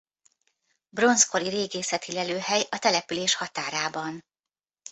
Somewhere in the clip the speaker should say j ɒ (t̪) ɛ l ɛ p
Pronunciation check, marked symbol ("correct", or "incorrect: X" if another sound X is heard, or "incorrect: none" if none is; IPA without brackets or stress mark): correct